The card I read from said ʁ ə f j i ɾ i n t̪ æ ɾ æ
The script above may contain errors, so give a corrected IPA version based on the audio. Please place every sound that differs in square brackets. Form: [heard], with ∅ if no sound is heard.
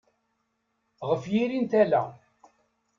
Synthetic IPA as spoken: ʁ ə f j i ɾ i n t̪ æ [l] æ